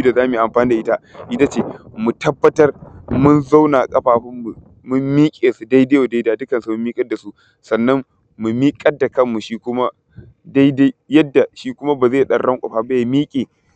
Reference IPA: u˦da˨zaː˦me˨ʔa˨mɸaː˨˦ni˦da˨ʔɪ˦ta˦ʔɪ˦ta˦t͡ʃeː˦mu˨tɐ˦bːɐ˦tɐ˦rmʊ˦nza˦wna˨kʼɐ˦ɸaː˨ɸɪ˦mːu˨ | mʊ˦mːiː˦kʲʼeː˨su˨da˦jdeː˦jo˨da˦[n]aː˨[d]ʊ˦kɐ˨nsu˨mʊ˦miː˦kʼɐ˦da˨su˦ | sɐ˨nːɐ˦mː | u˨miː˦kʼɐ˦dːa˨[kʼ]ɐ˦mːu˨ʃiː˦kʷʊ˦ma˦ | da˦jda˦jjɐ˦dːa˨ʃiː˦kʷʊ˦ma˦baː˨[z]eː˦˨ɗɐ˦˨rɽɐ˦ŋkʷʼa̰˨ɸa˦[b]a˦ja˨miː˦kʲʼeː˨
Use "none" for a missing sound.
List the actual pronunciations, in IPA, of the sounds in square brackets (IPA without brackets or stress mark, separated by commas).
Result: d, d, k, z, b